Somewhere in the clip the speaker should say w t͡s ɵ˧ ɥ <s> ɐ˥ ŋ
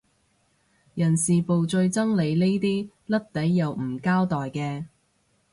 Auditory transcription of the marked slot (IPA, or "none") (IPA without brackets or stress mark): t͡s